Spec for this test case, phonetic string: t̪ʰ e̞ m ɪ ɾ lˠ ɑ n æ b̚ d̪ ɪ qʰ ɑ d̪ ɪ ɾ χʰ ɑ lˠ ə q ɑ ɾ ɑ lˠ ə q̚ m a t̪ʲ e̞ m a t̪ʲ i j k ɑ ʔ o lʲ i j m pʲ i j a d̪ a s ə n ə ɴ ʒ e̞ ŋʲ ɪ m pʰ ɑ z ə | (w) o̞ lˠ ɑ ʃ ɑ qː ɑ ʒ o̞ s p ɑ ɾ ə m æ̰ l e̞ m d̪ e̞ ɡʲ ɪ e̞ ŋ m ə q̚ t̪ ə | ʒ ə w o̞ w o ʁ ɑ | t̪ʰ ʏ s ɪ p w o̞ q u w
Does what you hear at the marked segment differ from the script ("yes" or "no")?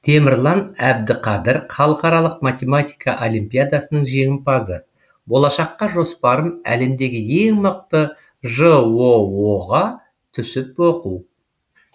yes